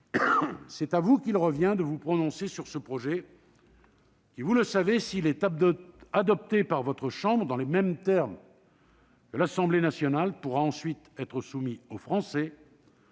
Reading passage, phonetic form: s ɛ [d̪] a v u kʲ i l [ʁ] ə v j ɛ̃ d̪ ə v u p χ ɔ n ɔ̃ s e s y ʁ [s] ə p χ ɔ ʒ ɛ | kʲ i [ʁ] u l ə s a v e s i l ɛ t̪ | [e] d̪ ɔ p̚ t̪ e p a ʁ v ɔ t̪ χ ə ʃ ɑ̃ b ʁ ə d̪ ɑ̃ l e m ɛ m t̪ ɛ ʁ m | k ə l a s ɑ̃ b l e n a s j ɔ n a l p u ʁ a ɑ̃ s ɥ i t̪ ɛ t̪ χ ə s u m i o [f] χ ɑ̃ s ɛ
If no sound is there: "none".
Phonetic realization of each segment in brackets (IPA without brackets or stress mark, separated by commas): t̪, ʁ, s, v, a, f